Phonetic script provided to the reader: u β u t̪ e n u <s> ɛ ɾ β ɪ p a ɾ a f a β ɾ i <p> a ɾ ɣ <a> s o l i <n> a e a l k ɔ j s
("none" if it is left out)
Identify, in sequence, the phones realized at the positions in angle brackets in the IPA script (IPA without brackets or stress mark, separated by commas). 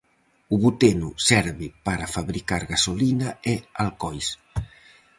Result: s, k, a, n